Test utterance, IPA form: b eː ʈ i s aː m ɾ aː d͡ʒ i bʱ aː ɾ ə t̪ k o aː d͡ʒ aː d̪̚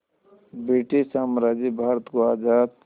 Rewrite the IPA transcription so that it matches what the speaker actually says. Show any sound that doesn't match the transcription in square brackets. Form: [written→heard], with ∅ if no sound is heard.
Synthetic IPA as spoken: b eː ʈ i s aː m ɾ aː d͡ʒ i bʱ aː ɾ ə t̪ k o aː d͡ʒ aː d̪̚